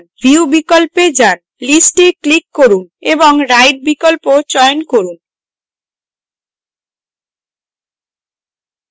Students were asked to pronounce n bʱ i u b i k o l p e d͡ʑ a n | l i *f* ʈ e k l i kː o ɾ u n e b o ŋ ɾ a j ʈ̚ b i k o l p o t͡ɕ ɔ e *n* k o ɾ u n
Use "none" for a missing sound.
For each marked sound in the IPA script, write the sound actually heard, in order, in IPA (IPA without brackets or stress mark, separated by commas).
s, n